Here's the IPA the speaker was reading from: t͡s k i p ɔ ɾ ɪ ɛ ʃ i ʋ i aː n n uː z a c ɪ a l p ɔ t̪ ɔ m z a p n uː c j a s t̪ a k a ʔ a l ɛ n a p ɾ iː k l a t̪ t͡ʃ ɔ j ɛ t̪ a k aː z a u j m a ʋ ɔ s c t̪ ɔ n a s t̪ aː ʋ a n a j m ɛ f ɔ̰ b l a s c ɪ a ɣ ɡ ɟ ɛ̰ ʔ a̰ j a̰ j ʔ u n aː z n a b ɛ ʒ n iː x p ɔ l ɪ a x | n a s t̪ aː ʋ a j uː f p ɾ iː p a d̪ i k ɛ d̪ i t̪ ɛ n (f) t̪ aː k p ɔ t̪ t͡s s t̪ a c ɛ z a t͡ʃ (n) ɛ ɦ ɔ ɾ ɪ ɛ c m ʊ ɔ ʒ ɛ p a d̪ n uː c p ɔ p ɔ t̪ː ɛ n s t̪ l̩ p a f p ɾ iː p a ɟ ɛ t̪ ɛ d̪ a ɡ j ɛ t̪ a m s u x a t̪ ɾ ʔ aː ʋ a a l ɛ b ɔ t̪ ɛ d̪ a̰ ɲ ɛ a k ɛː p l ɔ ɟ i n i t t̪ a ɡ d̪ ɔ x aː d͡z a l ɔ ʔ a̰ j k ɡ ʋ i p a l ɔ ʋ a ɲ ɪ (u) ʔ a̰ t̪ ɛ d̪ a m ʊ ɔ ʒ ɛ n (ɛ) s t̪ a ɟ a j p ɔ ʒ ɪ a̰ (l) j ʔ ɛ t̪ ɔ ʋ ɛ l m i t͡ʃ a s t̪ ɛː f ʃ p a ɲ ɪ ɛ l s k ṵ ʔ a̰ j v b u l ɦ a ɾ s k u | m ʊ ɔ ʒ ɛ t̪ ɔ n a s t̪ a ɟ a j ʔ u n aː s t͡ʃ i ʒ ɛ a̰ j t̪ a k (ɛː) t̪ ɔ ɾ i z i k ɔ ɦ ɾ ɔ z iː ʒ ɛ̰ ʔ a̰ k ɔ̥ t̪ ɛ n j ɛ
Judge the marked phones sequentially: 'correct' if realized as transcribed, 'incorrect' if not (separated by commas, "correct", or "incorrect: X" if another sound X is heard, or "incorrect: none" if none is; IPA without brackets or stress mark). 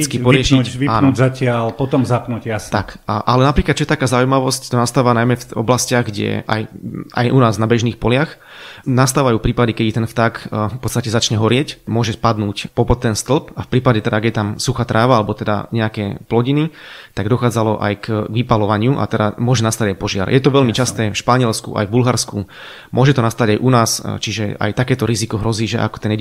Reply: correct, incorrect: ɲ, correct, incorrect: a, incorrect: ɾ, correct